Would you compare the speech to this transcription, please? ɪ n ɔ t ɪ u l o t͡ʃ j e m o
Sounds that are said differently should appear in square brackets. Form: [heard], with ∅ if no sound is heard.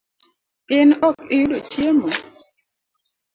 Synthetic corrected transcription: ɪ n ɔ [k] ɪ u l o t͡ʃ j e m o